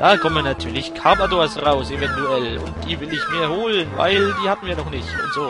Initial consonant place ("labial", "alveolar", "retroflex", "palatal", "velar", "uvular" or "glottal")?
alveolar